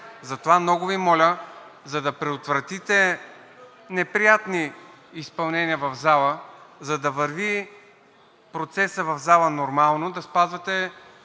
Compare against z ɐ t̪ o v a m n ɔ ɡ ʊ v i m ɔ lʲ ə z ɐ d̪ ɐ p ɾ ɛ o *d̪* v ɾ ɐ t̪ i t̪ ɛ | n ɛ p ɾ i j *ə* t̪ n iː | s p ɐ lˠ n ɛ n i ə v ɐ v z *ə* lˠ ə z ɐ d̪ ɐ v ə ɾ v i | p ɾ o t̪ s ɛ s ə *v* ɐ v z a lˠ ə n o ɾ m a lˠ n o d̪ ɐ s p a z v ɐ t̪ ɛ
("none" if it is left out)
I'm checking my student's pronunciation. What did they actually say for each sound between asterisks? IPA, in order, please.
t̪, a, a, v

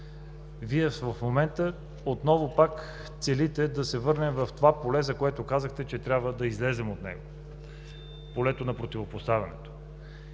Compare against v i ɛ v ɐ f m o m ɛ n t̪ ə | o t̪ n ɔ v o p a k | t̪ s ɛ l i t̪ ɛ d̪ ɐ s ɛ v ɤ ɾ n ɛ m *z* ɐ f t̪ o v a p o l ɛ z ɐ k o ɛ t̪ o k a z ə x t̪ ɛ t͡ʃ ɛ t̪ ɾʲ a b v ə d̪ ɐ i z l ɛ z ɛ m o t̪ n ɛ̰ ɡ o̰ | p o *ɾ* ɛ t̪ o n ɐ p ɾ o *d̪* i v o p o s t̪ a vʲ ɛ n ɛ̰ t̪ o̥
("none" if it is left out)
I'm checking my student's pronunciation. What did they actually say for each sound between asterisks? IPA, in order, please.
v, l, t̪

